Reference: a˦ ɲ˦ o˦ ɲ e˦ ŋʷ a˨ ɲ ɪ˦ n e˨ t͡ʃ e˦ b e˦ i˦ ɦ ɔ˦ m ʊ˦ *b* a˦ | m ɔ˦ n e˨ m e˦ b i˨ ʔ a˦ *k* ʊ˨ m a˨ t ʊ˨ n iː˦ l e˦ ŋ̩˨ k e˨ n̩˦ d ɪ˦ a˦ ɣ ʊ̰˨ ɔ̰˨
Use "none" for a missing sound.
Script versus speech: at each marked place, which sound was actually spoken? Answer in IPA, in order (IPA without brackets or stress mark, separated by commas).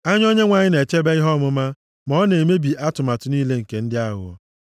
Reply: m, t